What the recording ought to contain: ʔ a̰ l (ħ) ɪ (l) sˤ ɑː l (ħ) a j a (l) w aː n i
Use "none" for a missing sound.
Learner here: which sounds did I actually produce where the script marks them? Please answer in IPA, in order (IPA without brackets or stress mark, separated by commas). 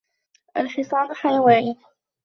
ħ, none, ħ, none